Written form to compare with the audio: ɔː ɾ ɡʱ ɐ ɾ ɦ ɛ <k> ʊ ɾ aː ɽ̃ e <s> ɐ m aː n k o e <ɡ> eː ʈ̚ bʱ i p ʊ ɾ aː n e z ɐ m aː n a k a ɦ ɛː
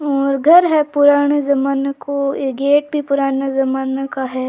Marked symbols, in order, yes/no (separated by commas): no, no, yes